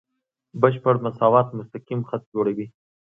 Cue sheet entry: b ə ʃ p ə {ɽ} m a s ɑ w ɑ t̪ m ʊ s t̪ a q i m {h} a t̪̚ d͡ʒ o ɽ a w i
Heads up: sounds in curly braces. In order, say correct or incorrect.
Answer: correct, incorrect: x

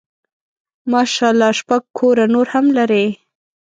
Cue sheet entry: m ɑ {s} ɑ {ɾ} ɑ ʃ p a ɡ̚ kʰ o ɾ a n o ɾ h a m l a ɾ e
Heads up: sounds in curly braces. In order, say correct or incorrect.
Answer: incorrect: ʃ, incorrect: l

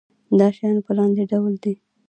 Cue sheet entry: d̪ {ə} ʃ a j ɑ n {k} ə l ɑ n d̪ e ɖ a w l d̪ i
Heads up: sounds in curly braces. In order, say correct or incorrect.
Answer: incorrect: ɑ, incorrect: p

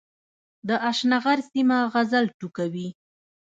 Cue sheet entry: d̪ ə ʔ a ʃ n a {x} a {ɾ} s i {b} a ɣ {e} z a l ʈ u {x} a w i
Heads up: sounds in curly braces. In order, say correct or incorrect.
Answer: incorrect: ɣ, correct, incorrect: m, incorrect: a, incorrect: k

